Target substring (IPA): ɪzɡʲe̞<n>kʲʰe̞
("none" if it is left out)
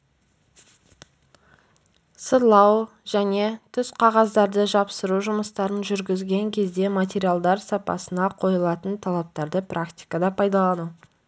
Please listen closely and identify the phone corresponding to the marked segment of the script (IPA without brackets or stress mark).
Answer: ŋ